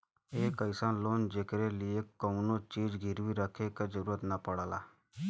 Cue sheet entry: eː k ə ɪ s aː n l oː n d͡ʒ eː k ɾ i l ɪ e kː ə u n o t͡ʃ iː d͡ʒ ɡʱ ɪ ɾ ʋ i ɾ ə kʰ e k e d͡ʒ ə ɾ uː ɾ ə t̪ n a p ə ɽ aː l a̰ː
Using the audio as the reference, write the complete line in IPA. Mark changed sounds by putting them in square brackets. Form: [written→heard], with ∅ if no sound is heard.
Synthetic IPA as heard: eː k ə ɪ s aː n l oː n d͡ʒ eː k ɾ [i→e] l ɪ e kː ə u n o t͡ʃ iː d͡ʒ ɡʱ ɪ ɾ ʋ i ɾ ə kʰ e k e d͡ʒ ə ɾ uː ɾ ə t̪ n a p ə ɽ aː l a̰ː